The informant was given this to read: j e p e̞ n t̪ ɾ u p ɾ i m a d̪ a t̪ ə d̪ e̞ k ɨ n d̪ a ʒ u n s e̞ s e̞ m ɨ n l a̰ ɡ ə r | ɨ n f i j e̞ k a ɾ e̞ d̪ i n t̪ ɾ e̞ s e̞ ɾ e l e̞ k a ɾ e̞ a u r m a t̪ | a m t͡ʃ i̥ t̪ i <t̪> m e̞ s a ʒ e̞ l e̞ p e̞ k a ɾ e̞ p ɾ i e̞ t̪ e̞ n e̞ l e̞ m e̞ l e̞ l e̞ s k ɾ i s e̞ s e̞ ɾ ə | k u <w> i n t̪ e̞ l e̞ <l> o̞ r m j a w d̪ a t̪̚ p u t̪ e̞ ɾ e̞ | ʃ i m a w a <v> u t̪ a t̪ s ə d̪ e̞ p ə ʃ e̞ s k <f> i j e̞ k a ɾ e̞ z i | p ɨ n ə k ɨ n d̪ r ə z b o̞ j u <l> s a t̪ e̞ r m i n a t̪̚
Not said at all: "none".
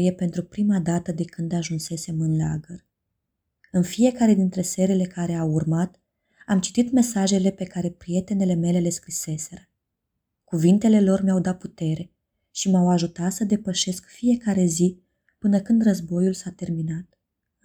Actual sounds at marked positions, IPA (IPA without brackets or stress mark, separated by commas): t̪, v, l, ʒ, f, l